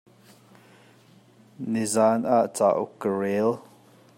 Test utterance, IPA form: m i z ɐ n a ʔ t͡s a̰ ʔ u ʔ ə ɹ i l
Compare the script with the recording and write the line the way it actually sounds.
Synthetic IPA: n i z a n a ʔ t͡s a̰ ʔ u k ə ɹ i l

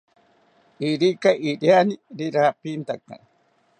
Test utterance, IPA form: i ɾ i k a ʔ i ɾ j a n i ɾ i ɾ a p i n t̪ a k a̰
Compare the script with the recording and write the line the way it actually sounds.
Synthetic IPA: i ɾ i k a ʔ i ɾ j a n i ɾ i ɾ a p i n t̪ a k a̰

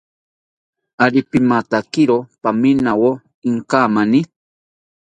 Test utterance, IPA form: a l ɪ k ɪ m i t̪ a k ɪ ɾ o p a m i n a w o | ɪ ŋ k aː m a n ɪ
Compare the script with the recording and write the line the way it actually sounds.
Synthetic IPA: a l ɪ p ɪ m a t̪ a k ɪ ɾ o p a m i n a w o | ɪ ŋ k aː m a n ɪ

